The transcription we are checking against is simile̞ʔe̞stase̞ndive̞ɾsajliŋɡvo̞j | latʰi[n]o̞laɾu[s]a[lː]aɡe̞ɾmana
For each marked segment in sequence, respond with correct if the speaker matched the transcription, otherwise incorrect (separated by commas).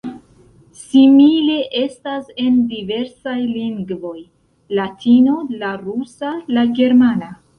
correct, correct, incorrect